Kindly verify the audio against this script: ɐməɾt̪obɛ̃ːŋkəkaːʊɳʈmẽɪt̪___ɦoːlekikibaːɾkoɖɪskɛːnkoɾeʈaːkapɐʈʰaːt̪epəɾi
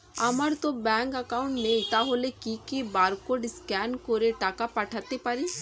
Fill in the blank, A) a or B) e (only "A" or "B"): A